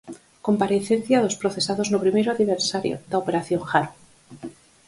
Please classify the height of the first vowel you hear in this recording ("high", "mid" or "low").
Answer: mid